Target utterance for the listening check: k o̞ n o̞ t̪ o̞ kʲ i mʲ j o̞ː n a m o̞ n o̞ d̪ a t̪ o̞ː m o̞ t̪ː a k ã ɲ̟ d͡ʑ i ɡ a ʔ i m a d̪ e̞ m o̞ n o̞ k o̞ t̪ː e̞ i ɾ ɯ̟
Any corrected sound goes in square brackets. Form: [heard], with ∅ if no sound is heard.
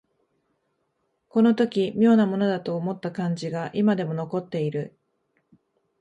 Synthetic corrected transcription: k o̞ n o̞ t̪ o̞ kʲ i mʲ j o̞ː n a m o̞ n o̞ d̪ a t̪ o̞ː m o̞ t̪ː a k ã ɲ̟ d͡ʑ i ɡ a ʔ i m a d̪ e̞ m o̞ n o̞ k o̞ t̪ː e̞ i ɾ ɯ̟